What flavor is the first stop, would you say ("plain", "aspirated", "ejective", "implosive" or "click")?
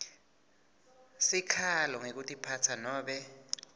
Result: aspirated